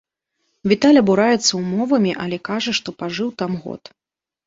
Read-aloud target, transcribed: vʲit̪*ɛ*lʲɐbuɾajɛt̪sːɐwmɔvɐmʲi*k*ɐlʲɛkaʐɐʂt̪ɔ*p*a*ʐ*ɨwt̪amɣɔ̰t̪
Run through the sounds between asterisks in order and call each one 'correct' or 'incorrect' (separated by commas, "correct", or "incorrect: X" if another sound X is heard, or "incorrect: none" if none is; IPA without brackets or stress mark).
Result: incorrect: a, incorrect: ʔ, correct, correct